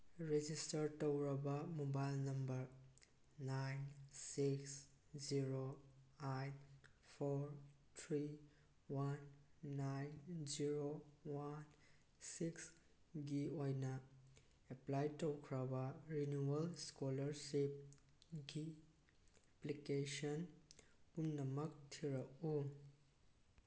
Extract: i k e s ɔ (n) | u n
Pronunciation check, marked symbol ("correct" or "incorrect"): correct